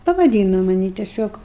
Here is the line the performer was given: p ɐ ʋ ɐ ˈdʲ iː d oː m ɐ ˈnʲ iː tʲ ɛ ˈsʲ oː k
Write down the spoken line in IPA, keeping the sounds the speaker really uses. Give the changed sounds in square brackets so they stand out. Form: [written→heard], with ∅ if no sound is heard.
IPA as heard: p ɐ ʋ ɐ ˈdʲ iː [d→n] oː m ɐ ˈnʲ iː tʲ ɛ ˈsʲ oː k